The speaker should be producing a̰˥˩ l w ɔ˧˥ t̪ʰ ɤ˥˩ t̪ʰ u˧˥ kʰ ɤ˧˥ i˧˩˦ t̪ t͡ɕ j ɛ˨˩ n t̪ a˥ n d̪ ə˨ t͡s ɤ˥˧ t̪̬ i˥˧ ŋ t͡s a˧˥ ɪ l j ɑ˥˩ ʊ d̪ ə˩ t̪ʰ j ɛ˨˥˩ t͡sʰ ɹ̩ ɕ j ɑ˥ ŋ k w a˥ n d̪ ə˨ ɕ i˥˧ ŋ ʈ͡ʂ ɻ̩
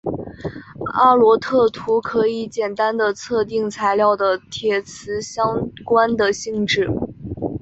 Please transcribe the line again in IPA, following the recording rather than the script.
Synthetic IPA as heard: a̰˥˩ l w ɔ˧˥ t̪ʰ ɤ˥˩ t̪ʰ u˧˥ kʰ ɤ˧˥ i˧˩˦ t͡ɕ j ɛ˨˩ n t̪ a˥ n d̪ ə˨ t͡sʰ ɤ˥˧ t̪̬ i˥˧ ŋ t͡sʰ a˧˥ ɪ l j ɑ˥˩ ʊ d̪ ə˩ t̪ʰ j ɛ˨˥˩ t͡sʰ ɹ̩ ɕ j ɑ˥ ŋ k w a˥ n d̪ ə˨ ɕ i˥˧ ŋ ʈ͡ʂ ɻ̩

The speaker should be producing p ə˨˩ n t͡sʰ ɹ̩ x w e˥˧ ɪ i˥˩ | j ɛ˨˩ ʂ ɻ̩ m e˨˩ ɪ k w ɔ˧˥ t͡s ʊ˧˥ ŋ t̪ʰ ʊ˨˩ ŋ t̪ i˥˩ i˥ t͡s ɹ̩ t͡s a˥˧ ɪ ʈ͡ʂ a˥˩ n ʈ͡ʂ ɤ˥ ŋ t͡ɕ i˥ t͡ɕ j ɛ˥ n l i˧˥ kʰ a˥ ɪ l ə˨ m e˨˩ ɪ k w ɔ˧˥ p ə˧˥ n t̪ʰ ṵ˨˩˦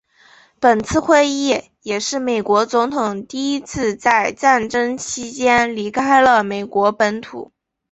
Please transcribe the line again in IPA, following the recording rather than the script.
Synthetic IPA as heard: p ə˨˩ n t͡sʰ ɹ̩ x w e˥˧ ɪ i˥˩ | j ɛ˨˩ ʂ ɻ̩ m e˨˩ ɪ k w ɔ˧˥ t͡s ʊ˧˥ ŋ t̪ʰ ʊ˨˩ ŋ t̪ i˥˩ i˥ t͡sʰ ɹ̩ t͡s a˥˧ ɪ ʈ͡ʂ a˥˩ n ʈ͡ʂ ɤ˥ ŋ t͡ɕʰ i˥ t͡ɕ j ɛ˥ n l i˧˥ kʰ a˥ ɪ l ə˨ m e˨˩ ɪ k w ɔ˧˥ p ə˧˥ n t̪ʰ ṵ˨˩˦

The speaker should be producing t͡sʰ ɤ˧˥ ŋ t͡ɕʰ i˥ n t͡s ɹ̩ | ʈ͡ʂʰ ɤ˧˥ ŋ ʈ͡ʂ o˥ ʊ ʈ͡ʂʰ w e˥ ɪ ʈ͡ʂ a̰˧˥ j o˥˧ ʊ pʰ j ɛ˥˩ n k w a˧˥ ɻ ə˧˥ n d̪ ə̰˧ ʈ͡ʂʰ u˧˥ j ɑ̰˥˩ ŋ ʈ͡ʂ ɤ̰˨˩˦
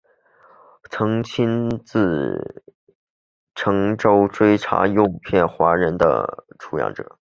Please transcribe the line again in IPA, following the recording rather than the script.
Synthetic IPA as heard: t͡sʰ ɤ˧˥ ŋ t͡ɕʰ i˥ n t͡s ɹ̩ | ʈ͡ʂʰ ɤ˧˥ ŋ ʈ͡ʂ o˥ ʊ ʈ͡ʂ w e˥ ɪ ʈ͡ʂʰ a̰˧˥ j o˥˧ ʊ pʰ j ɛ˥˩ n x w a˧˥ ɻ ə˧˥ n d̪ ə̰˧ ʈ͡ʂʰ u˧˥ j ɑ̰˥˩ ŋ ʈ͡ʂ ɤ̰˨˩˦

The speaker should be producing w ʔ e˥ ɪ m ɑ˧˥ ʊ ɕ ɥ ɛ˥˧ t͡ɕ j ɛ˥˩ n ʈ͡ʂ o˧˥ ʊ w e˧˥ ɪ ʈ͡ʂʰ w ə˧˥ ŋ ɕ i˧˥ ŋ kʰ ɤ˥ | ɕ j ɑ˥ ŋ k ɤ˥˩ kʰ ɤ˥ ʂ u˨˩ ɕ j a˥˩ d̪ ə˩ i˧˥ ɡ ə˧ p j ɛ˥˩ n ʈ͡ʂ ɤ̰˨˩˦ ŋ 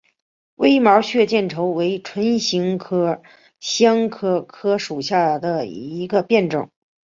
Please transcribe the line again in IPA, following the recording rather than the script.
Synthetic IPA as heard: w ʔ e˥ ɪ m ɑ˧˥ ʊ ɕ ɥ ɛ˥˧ t͡ɕ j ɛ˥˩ n ʈ͡ʂʰ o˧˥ ʊ w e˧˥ ɪ ʈ͡ʂʰ w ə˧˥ n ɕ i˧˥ ŋ kʰ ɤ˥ | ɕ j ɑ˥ ŋ kʰ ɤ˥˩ kʰ ɤ˥ ʂ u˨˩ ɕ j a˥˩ d̪ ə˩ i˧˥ ɡ ə˧ p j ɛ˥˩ n ʈ͡ʂ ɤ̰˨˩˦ ŋ

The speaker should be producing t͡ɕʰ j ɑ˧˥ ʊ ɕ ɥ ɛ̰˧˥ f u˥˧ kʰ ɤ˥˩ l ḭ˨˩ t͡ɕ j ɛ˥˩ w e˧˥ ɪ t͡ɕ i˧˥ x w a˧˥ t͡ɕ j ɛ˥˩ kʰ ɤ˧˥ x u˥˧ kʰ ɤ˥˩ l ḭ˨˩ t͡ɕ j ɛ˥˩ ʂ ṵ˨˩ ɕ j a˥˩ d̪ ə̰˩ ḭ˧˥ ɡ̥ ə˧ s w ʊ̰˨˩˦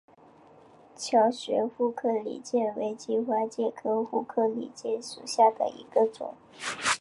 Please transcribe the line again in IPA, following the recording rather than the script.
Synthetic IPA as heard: t͡ɕʰ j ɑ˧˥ ʊ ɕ ɥ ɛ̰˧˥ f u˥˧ kʰ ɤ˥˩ l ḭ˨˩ t͡ɕ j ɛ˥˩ w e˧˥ ɪ t͡ɕ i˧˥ x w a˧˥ t͡ɕ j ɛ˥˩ kʰ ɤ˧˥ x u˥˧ kʰ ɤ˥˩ l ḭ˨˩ t͡ɕ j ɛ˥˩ ʂ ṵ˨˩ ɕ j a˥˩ d̪ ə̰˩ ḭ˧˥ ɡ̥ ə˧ t͡s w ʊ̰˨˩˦

